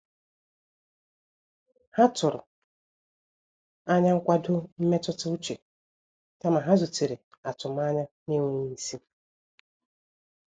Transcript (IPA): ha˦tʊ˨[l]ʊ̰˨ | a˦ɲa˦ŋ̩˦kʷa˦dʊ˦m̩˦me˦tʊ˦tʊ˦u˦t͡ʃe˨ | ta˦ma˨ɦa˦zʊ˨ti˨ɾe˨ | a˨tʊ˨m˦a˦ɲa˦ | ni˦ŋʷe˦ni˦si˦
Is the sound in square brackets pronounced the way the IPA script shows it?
no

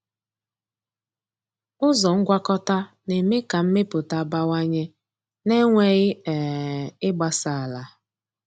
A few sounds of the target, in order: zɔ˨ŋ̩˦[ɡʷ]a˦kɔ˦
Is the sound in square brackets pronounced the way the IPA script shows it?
yes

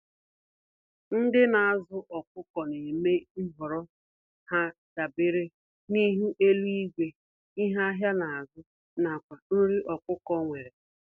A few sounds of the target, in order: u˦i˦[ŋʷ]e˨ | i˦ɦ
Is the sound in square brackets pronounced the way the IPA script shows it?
no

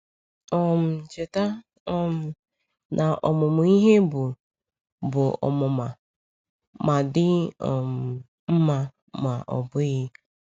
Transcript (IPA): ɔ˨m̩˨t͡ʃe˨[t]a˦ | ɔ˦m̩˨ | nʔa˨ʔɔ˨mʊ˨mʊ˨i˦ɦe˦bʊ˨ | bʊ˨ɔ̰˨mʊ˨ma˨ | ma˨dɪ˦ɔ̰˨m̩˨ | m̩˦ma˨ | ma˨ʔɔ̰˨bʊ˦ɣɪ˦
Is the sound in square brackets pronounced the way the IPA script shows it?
yes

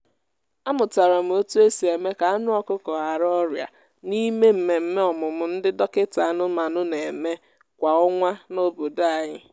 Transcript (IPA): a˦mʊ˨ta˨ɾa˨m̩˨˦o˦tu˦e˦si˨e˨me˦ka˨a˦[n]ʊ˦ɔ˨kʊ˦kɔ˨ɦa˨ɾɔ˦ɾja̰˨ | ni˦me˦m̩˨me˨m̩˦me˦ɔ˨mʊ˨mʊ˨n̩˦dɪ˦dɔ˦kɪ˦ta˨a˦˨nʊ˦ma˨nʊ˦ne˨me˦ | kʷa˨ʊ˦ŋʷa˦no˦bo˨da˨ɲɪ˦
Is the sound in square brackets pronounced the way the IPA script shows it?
yes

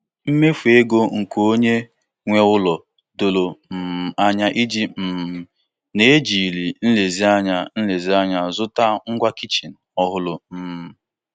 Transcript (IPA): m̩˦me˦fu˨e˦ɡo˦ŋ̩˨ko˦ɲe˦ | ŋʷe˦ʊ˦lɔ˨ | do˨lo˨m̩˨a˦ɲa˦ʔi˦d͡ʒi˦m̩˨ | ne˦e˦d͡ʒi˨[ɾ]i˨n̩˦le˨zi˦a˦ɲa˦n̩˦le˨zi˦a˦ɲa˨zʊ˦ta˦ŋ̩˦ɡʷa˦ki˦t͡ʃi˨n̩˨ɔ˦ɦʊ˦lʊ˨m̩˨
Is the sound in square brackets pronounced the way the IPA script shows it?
no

